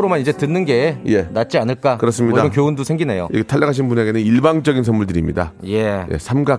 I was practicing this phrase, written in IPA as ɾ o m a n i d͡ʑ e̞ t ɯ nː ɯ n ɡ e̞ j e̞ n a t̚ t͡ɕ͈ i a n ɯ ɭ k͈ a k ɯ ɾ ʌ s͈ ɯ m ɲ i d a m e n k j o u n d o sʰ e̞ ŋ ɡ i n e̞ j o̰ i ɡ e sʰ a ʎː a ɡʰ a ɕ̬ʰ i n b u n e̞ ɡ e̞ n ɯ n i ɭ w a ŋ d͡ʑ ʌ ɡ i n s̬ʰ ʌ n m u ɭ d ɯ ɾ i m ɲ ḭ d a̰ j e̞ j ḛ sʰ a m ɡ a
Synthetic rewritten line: ɾ o m a n i d͡ʑ e̞ t ɯ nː ɯ n ɡ e̞ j e̞ n a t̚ t͡ɕ͈ i a n ɯ ɭ k͈ a k ɯ ɾ ʌ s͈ ɯ m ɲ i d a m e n k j o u n d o sʰ e̞ ŋ ɡ i n e̞ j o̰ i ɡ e tʰ a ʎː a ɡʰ a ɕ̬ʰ i n b u n e̞ ɡ e̞ n ɯ n i ɭ b a ŋ d͡ʑ ʌ ɡ i n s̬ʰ ʌ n m u ɭ d ɯ ɾ i m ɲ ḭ d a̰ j e̞ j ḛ sʰ a m ɡ a